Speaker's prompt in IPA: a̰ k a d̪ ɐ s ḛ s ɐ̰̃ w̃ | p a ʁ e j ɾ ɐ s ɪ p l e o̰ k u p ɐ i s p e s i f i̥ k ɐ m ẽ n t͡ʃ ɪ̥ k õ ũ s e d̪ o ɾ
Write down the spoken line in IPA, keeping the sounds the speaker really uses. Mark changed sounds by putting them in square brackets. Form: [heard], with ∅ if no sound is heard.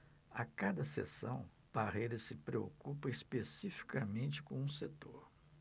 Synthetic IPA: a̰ k a d̪ ɐ s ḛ s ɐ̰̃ w̃ | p a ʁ e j ɾ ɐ s ɪ p [ɾ] e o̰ k u p ɐ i s p e s i f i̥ k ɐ m ẽ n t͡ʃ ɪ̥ k õ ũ s e [t̪] o ɾ